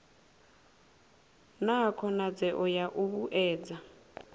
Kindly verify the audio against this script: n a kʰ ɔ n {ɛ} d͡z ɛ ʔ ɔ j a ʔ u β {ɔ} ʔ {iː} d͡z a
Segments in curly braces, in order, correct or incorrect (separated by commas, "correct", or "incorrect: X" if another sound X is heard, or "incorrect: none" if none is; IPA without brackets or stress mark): incorrect: a, incorrect: u, incorrect: ɛː